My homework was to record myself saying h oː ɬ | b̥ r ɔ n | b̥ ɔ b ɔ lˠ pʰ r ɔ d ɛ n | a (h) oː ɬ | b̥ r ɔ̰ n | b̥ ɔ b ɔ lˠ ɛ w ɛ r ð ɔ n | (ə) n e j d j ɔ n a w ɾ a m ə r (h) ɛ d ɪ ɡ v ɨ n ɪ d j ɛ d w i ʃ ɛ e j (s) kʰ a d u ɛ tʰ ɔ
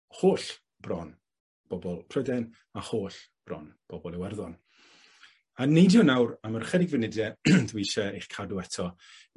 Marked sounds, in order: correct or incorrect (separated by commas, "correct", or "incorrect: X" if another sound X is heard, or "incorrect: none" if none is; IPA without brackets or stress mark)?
correct, incorrect: a, incorrect: χ, incorrect: χ